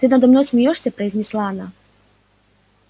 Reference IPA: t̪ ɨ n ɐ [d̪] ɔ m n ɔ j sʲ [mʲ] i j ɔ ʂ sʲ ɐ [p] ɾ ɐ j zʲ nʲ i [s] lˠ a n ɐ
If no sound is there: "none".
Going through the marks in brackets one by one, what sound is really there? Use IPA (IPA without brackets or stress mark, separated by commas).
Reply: d̪, mʲ, p, s